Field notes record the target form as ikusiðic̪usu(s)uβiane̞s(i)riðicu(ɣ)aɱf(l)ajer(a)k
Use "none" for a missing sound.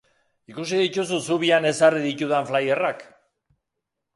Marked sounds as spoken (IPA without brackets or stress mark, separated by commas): s, a, ð, l, a